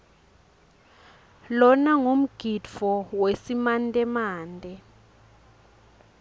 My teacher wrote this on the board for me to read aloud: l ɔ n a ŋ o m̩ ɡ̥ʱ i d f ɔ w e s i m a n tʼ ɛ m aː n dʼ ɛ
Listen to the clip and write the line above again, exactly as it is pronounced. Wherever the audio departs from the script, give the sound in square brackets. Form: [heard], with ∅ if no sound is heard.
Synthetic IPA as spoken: l ɔ n a ŋ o m̩ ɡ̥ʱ i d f ɔ w e s i m a n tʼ ɛ m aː n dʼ ɛ